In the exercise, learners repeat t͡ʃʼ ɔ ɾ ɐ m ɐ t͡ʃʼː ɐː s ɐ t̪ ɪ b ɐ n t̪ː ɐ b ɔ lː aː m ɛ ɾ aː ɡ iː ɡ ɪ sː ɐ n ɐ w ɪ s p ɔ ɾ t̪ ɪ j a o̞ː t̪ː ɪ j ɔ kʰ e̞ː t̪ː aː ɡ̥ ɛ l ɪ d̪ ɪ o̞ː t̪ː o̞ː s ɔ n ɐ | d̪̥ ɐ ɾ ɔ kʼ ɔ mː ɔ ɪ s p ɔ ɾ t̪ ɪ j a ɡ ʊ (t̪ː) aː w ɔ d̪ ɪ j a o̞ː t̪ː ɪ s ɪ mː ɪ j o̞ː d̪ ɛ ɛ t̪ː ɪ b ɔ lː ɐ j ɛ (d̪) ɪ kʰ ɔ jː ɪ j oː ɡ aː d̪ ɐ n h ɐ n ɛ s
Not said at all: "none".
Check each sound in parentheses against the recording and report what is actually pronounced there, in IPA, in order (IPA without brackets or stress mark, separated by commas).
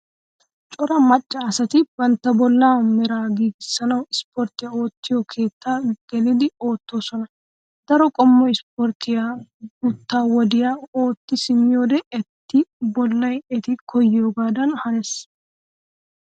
t̪ː, t̪